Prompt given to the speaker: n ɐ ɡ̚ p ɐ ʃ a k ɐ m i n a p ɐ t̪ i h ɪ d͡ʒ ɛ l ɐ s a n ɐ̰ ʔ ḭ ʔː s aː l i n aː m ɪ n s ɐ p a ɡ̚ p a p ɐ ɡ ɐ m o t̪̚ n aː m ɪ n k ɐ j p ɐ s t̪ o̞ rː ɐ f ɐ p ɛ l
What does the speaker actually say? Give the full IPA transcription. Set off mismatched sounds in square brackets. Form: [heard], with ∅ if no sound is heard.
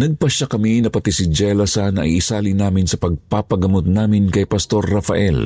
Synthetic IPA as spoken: n ɐ ɡ̚ p ɐ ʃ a k ɐ m i n [ɐ] p ɐ t̪ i [s] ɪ d͡ʒ ɛ l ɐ s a n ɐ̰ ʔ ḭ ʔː s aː l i n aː m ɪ n s ɐ p [ɐ] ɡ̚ p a p ɐ ɡ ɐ m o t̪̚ n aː m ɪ n k ɐ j p ɐ s t̪ o̞ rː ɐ f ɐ [ʔ] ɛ l